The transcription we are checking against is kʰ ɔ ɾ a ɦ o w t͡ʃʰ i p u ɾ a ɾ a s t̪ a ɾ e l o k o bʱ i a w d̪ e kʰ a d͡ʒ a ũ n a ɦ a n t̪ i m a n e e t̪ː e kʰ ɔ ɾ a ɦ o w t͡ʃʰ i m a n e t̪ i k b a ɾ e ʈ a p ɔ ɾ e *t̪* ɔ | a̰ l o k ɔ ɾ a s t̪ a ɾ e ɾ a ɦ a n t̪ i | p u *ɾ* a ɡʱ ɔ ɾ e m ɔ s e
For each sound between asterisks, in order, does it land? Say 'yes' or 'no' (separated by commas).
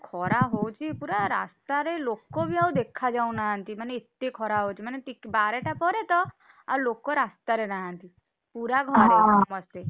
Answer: yes, yes